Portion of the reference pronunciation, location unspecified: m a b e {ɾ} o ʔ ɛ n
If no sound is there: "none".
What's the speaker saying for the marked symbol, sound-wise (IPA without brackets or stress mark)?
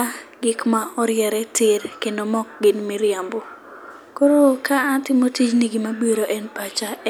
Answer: ɾ